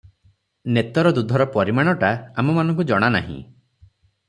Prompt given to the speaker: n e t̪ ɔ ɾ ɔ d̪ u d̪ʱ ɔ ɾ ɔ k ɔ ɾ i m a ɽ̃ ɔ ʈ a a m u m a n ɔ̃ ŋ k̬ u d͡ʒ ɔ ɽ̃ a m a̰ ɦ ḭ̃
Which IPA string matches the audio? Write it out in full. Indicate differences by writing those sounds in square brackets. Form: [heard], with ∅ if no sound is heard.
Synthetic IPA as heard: n e t̪ ɔ ɾ ɔ d̪ u d̪ʱ ɔ ɾ ɔ [p] ɔ ɾ i m a ɽ̃ ɔ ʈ a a m [ɔ] m a n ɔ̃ ŋ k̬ u d͡ʒ ɔ ɽ̃ a [n] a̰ ɦ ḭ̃